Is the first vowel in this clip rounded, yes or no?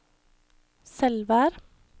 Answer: no